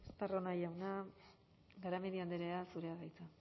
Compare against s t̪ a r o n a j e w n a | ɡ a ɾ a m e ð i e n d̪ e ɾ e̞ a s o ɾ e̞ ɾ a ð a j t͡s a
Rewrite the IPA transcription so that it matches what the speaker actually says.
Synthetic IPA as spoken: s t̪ a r o n a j a w n a | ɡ a ɾ a m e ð i a n d̪ e ɾ e̞ a s u ɾ e̞ a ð a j t͡s a